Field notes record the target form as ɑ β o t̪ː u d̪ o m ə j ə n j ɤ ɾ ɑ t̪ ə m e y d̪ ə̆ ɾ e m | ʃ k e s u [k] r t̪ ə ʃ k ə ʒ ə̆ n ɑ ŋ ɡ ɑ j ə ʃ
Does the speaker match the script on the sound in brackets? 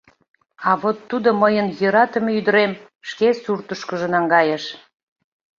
no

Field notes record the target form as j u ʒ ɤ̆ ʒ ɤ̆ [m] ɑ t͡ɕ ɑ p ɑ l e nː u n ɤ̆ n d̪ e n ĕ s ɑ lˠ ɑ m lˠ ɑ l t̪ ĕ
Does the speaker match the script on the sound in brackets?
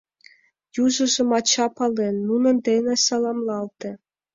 yes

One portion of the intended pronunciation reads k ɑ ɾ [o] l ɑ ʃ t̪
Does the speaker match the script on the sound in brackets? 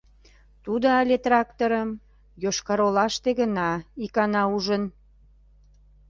yes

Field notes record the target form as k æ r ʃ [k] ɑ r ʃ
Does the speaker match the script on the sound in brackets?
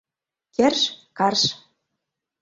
yes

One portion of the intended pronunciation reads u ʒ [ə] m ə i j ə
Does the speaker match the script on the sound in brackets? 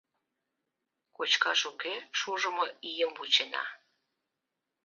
yes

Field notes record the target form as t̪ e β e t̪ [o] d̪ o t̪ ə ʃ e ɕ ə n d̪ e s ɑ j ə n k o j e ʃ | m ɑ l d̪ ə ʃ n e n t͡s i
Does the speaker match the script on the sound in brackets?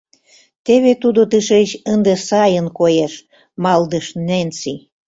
no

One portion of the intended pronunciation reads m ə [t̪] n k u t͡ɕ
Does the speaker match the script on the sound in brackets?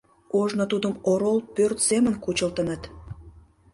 no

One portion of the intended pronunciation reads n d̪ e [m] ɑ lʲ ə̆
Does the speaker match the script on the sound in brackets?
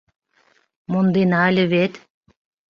no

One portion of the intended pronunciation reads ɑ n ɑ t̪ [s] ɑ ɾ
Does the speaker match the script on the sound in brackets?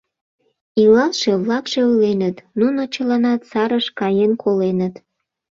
yes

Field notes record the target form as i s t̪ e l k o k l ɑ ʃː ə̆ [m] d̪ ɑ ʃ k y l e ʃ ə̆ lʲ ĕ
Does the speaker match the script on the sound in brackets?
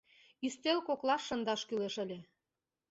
no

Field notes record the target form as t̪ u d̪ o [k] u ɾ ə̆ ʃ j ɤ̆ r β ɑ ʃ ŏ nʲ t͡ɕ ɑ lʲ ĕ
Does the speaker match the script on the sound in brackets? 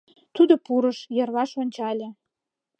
no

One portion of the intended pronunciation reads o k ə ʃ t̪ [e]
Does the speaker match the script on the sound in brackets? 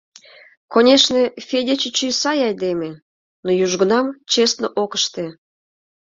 yes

